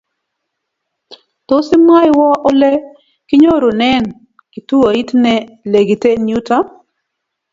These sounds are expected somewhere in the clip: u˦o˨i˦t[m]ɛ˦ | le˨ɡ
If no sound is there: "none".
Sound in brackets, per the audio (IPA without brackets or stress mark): n